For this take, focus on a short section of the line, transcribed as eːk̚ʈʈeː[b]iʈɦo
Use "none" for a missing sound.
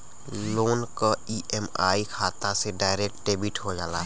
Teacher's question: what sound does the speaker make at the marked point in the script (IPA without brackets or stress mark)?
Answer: b